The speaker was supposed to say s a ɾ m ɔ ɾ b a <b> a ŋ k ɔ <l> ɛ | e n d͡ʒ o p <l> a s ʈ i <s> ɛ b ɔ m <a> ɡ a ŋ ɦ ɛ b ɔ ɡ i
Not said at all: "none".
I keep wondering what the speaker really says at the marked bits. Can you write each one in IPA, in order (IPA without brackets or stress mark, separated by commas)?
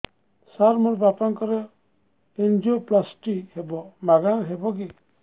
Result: p, ɾ, l, h, a